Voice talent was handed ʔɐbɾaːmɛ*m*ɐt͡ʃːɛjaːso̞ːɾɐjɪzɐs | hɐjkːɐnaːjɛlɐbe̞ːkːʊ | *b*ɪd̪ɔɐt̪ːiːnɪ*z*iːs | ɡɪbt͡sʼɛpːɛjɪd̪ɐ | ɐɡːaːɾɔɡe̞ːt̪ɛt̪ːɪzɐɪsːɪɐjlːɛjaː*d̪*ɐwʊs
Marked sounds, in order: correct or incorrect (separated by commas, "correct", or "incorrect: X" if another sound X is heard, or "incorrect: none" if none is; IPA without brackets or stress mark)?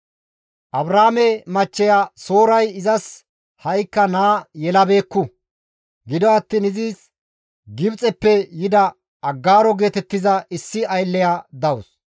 correct, incorrect: ɡ, correct, correct